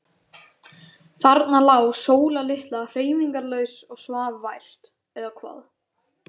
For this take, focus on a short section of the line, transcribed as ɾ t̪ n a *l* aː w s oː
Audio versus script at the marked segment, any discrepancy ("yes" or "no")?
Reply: no